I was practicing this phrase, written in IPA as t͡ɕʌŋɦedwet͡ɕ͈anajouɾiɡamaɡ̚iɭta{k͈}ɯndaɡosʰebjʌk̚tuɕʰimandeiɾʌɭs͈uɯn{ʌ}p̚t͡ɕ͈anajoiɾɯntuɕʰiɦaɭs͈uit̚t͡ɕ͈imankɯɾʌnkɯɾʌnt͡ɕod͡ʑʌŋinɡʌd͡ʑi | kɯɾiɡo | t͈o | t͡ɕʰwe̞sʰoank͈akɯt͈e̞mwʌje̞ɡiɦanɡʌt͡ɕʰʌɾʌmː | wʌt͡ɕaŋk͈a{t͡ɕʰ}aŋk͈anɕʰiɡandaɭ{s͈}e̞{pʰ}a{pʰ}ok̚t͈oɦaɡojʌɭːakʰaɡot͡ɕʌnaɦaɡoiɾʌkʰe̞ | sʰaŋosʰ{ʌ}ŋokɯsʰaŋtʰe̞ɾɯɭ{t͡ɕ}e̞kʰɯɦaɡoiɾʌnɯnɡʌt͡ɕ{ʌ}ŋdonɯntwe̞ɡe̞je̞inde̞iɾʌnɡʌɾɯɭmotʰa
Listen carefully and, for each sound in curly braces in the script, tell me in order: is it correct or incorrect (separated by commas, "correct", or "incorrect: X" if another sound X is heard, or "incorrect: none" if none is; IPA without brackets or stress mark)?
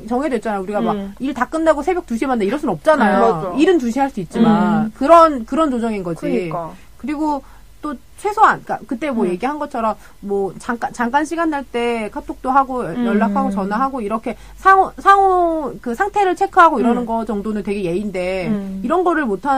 correct, correct, incorrect: t͡ɕ, incorrect: t͈, incorrect: kʰ, incorrect: tʰ, incorrect: a, incorrect: t͡ɕʰ, correct